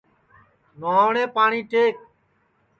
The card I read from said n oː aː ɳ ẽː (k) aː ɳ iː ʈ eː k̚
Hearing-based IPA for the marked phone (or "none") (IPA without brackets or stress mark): p